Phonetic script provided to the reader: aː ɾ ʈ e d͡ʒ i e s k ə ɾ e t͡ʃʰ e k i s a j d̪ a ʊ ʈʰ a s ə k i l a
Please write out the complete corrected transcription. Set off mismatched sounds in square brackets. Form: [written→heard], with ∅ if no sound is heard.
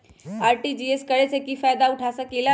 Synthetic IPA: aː ɾ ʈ [e→i] d͡ʒ i e s k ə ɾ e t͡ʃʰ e k i [s→f] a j d̪ a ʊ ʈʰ a s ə k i l a